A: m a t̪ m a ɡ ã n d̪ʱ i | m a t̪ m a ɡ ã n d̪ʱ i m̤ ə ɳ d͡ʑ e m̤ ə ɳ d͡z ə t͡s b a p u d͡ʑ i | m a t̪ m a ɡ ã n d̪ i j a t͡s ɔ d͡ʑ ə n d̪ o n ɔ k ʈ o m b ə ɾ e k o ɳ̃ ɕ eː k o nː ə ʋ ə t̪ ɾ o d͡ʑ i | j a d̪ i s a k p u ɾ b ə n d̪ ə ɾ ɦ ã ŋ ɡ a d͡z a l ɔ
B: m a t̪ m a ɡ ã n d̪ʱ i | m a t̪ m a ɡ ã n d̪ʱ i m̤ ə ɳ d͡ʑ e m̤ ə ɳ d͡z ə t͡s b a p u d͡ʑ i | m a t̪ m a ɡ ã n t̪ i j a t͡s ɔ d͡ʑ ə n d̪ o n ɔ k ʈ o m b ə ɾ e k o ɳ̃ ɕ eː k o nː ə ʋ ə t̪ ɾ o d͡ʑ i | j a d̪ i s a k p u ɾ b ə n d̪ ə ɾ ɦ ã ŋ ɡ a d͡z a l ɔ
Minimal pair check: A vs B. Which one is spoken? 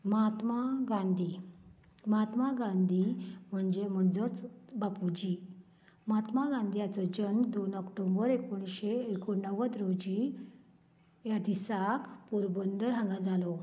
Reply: A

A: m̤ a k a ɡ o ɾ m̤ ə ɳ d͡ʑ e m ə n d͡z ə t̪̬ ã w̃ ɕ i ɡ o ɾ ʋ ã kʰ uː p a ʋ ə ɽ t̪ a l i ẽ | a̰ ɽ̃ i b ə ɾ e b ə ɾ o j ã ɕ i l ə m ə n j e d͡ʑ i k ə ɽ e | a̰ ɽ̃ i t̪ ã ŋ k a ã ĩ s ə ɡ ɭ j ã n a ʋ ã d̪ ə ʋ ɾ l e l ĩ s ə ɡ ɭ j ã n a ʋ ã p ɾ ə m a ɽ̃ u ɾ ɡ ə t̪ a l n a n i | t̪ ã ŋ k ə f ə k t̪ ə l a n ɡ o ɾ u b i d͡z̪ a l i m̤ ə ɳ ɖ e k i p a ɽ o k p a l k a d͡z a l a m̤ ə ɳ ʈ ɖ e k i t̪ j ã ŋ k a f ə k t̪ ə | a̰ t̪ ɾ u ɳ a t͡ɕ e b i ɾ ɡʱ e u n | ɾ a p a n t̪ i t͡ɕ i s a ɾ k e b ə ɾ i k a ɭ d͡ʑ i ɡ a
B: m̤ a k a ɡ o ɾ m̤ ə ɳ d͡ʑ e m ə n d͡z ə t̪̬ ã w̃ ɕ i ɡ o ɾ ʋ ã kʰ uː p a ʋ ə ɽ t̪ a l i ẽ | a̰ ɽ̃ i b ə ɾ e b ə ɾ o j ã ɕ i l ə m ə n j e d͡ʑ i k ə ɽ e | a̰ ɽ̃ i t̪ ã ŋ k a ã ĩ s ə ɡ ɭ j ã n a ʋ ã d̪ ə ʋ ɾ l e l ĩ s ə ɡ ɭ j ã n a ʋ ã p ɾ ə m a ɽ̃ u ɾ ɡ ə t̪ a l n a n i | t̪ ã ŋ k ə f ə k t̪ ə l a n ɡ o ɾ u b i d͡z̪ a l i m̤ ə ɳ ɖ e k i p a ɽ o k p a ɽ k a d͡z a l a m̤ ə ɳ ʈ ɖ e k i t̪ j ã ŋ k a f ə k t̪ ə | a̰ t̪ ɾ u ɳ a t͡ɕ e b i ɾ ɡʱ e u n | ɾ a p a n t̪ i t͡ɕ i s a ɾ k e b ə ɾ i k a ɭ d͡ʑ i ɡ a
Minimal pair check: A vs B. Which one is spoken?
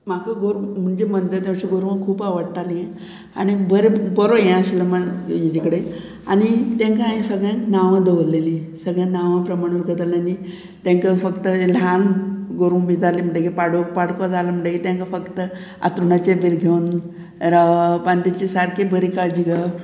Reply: B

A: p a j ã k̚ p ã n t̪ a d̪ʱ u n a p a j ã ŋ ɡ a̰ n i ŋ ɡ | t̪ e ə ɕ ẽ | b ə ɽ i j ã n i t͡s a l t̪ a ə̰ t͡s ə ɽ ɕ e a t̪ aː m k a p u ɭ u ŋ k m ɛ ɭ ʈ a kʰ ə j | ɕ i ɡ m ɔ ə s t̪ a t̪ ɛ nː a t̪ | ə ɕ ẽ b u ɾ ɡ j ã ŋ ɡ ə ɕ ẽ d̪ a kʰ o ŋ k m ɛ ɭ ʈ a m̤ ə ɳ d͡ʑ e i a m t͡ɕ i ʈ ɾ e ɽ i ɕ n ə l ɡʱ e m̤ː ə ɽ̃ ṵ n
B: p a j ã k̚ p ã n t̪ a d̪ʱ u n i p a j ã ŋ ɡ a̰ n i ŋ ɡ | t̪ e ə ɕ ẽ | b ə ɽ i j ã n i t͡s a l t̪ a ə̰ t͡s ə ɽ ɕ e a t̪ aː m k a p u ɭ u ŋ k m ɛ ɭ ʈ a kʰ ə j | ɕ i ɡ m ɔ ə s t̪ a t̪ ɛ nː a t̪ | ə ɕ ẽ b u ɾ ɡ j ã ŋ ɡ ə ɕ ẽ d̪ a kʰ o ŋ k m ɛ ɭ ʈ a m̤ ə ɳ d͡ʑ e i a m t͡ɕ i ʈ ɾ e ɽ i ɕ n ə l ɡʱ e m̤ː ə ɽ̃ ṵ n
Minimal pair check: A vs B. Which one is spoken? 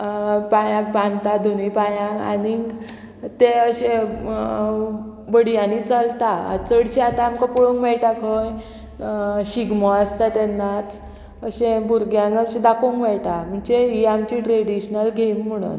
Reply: B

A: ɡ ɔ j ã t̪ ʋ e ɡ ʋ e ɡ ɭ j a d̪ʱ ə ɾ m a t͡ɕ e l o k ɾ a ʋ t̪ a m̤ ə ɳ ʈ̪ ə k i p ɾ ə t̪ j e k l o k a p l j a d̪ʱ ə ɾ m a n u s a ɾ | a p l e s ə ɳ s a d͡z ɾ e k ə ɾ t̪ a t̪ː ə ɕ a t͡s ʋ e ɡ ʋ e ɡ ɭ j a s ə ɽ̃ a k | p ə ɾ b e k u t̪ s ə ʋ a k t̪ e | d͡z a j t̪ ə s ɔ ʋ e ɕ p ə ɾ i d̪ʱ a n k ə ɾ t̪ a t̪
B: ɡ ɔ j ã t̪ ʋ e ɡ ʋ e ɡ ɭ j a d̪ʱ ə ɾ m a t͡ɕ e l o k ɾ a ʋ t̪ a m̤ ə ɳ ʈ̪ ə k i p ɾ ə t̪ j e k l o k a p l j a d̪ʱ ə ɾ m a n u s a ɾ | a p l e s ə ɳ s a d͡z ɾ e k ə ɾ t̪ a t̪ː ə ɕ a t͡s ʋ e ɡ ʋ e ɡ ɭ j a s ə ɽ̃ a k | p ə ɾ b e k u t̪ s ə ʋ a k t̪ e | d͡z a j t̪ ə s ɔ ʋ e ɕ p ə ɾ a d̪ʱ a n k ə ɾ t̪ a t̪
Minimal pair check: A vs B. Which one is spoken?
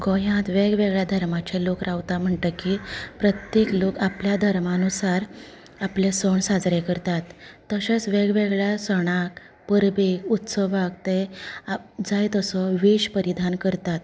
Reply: A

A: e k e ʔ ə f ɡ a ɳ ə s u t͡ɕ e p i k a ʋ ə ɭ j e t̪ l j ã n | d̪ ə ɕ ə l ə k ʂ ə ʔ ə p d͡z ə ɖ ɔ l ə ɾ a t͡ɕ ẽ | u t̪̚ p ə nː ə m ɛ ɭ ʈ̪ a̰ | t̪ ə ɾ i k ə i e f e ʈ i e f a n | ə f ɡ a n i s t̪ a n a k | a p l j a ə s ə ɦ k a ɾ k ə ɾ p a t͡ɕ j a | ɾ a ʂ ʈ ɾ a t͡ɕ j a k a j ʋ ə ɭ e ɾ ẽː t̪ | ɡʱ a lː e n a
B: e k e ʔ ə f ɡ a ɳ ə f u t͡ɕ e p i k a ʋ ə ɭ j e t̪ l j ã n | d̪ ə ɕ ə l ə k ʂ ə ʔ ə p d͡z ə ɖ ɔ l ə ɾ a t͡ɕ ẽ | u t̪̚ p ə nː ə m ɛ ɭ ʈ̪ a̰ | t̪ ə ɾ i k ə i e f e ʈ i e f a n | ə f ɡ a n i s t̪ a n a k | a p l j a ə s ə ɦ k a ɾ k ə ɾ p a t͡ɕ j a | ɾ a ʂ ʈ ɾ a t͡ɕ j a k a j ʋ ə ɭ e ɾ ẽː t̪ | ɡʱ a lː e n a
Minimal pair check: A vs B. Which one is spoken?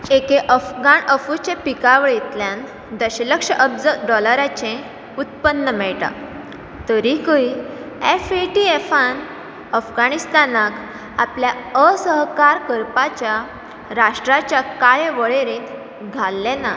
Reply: B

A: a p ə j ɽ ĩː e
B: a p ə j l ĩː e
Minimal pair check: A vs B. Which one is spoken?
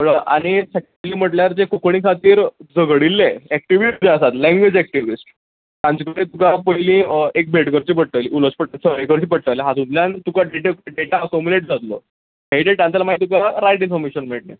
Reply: B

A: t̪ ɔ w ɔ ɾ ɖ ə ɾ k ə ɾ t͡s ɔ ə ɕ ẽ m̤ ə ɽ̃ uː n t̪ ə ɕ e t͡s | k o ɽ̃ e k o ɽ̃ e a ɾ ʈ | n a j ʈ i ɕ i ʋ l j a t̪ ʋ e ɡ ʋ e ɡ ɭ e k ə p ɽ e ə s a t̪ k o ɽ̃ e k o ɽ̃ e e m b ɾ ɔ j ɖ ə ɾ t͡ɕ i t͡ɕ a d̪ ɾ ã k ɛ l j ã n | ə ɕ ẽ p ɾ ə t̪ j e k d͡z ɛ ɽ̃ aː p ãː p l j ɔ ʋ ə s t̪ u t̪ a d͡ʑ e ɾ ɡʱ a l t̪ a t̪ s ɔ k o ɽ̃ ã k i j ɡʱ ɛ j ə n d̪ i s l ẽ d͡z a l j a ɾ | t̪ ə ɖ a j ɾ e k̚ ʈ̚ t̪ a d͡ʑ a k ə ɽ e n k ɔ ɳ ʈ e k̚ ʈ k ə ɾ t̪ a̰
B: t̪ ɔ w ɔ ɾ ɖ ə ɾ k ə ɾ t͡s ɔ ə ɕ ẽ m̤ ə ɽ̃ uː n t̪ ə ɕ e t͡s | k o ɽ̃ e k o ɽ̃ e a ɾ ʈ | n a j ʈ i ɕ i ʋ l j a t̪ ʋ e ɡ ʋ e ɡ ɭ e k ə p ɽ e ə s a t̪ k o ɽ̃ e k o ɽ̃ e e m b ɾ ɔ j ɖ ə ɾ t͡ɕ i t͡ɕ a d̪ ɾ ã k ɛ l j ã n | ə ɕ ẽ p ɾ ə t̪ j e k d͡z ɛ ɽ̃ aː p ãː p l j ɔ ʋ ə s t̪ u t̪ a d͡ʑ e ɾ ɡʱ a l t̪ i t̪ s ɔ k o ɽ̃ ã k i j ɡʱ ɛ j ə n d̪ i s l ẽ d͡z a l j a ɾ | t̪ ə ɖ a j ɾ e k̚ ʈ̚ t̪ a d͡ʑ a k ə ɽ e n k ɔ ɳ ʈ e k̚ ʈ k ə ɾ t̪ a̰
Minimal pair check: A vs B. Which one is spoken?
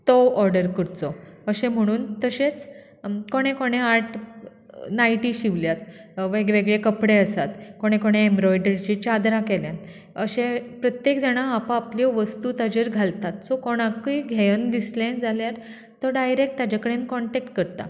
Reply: A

